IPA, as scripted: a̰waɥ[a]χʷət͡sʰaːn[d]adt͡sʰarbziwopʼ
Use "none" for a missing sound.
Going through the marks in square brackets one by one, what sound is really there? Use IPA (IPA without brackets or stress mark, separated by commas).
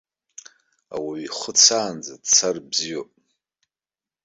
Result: i, d͡z